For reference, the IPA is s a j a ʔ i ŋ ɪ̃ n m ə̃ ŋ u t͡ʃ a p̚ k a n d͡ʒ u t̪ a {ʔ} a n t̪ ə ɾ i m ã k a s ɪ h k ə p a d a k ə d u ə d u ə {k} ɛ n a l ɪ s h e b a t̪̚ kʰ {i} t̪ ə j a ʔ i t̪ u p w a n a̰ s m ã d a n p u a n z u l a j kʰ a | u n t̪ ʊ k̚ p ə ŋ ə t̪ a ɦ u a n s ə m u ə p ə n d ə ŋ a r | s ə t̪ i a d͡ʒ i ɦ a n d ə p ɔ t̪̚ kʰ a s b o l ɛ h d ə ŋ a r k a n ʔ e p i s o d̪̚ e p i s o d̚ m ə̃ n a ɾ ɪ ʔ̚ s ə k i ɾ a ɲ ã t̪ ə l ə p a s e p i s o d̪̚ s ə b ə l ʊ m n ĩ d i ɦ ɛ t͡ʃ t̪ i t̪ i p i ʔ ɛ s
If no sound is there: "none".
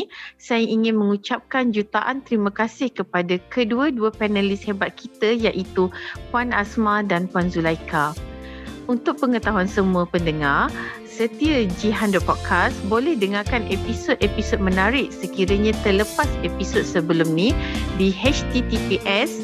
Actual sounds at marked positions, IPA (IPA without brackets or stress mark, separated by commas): ʔ, p, i